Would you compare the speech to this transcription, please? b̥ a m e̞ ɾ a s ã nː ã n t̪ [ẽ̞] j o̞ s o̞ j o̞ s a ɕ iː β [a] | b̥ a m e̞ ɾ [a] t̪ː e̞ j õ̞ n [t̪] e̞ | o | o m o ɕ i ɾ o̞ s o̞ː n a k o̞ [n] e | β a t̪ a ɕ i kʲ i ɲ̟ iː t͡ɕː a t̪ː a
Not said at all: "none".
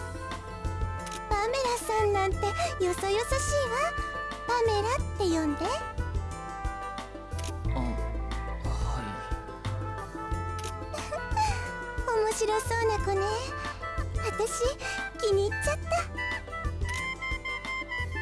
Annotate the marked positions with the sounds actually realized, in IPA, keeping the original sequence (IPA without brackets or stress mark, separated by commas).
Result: e̞, a, a, d̪, n